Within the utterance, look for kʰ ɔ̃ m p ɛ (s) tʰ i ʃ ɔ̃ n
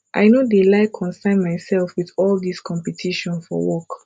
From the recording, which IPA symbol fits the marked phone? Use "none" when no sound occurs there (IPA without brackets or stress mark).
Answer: none